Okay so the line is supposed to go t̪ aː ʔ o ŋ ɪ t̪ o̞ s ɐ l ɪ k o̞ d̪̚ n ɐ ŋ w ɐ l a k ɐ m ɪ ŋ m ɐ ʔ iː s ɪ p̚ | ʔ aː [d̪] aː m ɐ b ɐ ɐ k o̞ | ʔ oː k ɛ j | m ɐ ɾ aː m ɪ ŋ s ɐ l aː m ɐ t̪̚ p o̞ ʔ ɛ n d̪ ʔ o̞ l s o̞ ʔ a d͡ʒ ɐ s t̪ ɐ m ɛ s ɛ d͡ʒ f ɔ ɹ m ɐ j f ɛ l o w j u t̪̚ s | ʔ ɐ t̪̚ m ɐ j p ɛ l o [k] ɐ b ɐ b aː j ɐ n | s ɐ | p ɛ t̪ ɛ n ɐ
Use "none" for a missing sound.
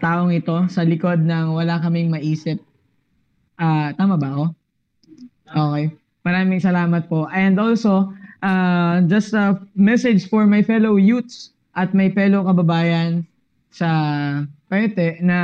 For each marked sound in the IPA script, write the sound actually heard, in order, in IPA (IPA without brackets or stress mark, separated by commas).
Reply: t̪, k